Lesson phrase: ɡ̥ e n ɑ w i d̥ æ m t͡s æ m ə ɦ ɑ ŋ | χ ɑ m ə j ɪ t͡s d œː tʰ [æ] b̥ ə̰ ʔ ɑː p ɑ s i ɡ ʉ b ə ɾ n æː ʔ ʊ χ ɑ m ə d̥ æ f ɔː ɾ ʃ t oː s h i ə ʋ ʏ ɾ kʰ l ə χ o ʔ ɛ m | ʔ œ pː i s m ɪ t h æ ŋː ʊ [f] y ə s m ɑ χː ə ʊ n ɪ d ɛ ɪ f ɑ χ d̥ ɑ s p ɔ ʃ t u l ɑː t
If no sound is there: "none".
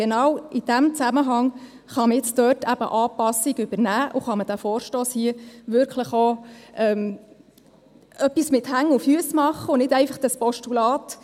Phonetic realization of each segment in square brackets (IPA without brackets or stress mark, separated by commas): æ, f